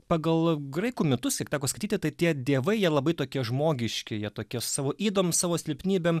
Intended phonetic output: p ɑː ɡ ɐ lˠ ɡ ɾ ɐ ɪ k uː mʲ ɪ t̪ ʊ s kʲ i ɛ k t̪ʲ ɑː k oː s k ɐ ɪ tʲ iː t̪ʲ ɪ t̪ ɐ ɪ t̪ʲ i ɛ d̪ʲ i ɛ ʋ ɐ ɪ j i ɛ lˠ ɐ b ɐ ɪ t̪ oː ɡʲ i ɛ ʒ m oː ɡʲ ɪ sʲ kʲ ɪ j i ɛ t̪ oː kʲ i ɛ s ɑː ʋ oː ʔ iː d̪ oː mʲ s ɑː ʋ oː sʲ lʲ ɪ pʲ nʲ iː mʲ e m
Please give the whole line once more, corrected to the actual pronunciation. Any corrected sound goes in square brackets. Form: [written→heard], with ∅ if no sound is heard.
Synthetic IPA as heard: p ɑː ɡ ɐ lˠ ɡ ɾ ɐ ɪ k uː mʲ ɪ t̪ ʊ s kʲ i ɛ k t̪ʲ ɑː k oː s k ɐ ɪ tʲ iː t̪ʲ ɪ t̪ ɐ ɪ t̪ʲ i ɛ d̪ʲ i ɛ ʋ ɐ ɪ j i ɛ lˠ ɐ b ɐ ɪ t̪ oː [ɡʲ→kʲ] i ɛ ʒ m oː ɡʲ ɪ [sʲ→ʃʲ] kʲ ɪ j i ɛ t̪ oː kʲ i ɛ s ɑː ʋ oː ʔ iː d̪ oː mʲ s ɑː ʋ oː sʲ lʲ ɪ pʲ nʲ iː [mʲ→bʲ] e m

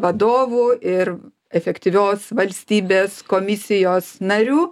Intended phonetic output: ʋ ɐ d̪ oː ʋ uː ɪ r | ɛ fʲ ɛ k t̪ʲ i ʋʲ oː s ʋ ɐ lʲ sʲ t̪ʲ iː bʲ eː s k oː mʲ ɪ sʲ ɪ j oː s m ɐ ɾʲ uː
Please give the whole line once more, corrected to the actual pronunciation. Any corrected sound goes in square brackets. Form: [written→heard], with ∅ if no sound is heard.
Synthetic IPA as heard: ʋ ɐ d̪ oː ʋ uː ɪ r | ɛ fʲ ɛ k t̪ʲ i ʋʲ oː s ʋ ɐ lʲ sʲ t̪ʲ iː bʲ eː s k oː mʲ ɪ sʲ ɪ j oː s [m→n] ɐ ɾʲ uː

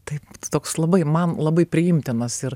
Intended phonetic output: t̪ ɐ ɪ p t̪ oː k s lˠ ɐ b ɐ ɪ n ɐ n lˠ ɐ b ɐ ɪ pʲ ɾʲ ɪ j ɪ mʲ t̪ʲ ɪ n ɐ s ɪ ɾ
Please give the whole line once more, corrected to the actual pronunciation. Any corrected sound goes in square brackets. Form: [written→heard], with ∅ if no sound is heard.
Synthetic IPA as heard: t̪ ɐ ɪ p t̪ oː k s lˠ ɐ b ɐ ɪ [n→m] ɐ n lˠ ɐ b ɐ ɪ pʲ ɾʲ ɪ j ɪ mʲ t̪ʲ ɪ n ɐ s ɪ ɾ

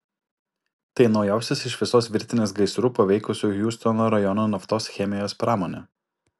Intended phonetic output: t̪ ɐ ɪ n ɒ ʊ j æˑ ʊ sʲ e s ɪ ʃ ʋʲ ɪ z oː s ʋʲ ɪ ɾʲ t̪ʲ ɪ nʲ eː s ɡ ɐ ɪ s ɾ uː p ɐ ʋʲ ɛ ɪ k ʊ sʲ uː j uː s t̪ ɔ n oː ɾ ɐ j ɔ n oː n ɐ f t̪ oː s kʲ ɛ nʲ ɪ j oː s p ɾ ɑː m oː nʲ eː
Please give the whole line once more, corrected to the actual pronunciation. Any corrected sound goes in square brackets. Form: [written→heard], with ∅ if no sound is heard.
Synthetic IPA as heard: t̪ ɐ ɪ n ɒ ʊ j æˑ ʊ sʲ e s ɪ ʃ ʋʲ ɪ [z→s] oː s ʋʲ ɪ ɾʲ t̪ʲ ɪ nʲ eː s ɡ ɐ ɪ s ɾ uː p ɐ ʋʲ ɛ ɪ k ʊ sʲ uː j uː s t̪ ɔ n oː ɾ ɐ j ɔ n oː n ɐ f t̪ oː s [kʲ→xʲ] ɛ [nʲ→mʲ] ɪ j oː s p ɾ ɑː m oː nʲ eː

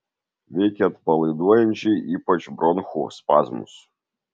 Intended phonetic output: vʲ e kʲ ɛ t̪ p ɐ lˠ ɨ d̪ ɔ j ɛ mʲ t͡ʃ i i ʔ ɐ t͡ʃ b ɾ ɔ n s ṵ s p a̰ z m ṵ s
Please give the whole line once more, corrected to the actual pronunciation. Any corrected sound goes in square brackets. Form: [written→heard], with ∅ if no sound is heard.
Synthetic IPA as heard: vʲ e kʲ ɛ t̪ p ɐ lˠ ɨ d̪ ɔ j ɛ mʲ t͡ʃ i i [ʔ→p] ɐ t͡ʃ b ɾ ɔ n [s→x] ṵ s p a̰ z m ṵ s

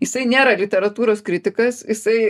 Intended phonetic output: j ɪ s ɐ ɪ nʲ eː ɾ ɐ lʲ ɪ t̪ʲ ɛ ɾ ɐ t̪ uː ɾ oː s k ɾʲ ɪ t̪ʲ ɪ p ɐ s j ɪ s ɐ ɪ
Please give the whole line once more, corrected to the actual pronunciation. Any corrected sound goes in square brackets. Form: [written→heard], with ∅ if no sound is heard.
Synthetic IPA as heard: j ɪ s ɐ ɪ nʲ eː ɾ ɐ lʲ ɪ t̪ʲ ɛ ɾ ɐ t̪ uː ɾ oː s k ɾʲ ɪ t̪ʲ ɪ [p→k] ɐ s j ɪ s ɐ ɪ

